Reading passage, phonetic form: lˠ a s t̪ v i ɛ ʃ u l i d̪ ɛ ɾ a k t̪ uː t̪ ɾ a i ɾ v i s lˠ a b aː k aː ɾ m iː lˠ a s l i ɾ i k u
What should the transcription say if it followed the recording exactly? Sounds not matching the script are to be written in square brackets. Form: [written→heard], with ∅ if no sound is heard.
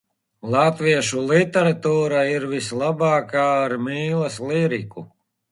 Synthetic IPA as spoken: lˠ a [s→∅] t̪ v i ɛ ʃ u l i [d̪→t̪] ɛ ɾ a [k→∅] t̪ uː [t̪→∅] ɾ a i ɾ v i s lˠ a b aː k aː ɾ m iː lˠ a s l i ɾ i k u

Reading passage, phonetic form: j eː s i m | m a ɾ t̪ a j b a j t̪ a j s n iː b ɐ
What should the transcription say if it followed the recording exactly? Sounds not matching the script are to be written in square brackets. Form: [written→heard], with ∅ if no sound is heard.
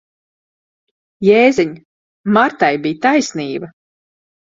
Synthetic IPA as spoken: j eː [s→z] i [m→ɲ] | m a ɾ t̪ a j b [a→i] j t̪ a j s n iː b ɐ

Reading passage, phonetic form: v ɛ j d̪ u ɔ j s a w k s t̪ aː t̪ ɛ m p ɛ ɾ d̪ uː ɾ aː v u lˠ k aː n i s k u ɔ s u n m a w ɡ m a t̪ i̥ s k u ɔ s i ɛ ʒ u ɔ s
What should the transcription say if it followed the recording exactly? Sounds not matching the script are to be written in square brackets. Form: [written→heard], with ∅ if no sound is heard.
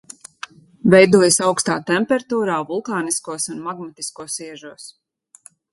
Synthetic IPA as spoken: v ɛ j d̪ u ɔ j s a w k s t̪ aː t̪ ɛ m p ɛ ɾ [d̪→t̪] uː ɾ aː v u lˠ k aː n i s k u ɔ s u n m a [w→∅] ɡ m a t̪ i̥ s k u ɔ s i ɛ ʒ u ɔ s

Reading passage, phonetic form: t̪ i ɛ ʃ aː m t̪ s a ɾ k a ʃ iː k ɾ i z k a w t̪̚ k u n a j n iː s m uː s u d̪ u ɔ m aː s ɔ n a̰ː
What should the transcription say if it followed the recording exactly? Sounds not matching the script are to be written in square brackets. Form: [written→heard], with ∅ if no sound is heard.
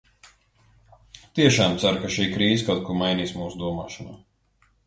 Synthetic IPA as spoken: t̪ i ɛ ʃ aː m t̪ s a ɾ k a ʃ iː k ɾ [i→iː] z k a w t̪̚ k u [n→m] a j n iː s m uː s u d̪ u ɔ m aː [s→ʃ] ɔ n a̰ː

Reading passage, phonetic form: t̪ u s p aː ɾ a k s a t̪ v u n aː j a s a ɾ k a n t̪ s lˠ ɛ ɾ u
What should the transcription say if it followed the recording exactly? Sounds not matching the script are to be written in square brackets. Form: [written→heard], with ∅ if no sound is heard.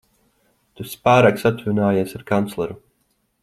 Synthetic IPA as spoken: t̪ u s p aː ɾ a k s a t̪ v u n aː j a s a ɾ k a n t̪ s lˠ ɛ ɾ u

